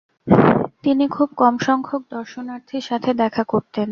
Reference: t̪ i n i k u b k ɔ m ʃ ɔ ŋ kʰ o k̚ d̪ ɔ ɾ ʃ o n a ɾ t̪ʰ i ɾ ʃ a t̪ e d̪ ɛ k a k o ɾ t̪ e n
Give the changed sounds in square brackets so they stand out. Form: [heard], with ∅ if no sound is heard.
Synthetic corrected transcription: t̪ i n i [kʰ] u b k ɔ m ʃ ɔ ŋ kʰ o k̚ d̪ ɔ ɾ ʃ o n a ɾ t̪ʰ i ɾ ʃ a [t̪ʰ] e d̪ ɛ [kʰ] a k o ɾ t̪ e n